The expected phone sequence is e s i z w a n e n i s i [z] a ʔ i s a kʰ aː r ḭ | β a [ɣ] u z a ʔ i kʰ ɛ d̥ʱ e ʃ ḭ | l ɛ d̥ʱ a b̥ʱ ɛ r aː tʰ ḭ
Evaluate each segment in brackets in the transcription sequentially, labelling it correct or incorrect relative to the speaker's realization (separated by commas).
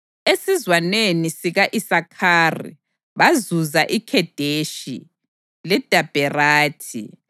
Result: incorrect, incorrect